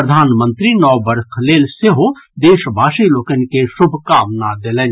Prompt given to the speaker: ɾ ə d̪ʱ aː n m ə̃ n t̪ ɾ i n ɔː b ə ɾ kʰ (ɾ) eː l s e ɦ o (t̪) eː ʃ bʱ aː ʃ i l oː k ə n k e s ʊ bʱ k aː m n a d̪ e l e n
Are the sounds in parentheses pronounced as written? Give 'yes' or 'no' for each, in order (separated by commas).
no, no